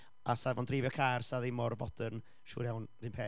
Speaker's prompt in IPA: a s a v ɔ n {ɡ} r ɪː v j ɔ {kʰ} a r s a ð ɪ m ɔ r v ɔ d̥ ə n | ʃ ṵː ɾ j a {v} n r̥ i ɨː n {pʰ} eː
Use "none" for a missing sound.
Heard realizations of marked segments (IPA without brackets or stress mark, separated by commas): d, kʰ, w, pʰ